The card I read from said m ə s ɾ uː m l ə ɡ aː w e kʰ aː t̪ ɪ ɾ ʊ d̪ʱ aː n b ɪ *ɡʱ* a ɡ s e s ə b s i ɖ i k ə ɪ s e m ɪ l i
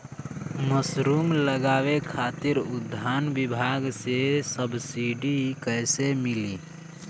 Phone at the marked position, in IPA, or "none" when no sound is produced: bʱ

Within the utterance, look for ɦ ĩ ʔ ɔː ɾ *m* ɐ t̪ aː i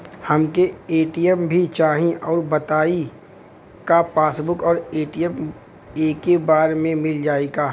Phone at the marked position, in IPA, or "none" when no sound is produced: b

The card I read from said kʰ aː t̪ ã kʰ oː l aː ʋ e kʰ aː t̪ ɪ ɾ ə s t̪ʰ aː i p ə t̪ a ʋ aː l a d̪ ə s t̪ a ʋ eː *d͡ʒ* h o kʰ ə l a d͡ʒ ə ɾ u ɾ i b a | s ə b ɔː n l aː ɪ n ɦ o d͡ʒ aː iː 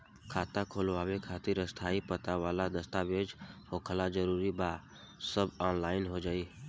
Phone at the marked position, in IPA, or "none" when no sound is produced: d͡ʒ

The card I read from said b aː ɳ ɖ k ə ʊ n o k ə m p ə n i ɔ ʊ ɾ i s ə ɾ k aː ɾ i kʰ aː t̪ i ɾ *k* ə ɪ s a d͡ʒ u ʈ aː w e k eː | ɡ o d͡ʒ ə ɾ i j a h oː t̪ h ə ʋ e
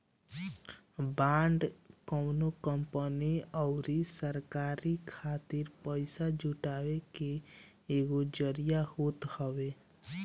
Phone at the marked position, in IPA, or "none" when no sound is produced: p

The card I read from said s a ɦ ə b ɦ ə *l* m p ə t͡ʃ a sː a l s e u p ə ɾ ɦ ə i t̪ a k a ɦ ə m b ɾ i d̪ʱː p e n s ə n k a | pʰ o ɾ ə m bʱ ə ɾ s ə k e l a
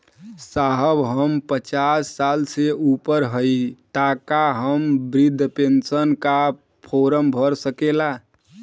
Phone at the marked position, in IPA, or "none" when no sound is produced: none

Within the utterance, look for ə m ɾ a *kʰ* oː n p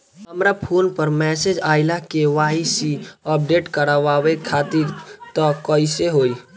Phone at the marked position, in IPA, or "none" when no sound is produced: pʰ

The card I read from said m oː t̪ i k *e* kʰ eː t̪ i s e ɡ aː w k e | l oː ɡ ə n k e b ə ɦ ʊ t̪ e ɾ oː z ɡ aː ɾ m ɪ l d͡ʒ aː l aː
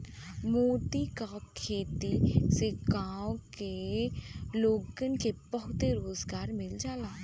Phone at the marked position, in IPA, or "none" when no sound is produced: a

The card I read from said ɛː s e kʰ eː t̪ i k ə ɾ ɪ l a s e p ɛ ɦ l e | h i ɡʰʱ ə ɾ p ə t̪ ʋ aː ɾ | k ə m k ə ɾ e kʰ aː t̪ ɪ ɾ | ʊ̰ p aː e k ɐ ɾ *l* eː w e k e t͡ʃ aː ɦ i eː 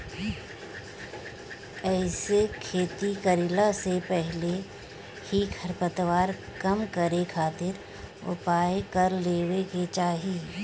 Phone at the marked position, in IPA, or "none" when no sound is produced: l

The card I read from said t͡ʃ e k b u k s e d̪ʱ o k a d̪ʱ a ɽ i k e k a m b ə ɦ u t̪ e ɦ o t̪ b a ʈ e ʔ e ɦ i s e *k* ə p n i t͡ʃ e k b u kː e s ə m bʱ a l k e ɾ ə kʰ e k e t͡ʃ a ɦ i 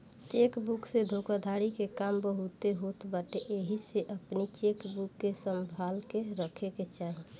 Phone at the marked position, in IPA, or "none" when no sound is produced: ʔ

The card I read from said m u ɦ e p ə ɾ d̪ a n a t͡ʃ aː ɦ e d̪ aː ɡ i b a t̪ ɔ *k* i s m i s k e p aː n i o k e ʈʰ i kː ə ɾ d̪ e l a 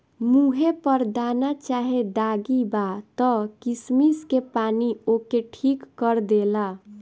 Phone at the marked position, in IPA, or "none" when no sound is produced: k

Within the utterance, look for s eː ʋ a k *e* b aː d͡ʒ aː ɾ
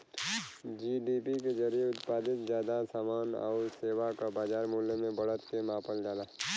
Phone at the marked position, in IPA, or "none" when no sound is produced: a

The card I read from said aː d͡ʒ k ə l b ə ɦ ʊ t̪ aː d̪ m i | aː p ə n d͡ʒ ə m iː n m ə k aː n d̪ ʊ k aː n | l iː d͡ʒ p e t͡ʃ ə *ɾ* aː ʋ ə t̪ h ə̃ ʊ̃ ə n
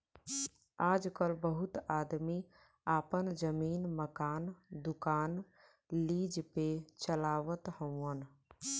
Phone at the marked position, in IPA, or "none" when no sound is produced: l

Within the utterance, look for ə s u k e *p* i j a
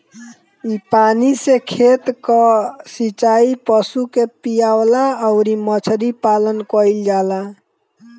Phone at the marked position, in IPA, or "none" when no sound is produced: p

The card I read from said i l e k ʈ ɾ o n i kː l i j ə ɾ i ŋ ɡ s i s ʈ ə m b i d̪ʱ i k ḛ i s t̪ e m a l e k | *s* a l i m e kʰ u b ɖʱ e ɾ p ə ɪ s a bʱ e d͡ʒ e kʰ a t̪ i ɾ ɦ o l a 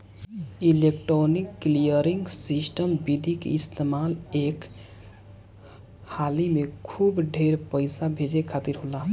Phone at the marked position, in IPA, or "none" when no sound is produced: h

